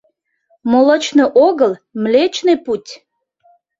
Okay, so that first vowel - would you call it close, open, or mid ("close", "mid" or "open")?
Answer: mid